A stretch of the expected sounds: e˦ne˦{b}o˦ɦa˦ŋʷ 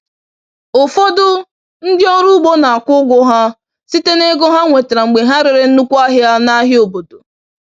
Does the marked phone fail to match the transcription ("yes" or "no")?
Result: yes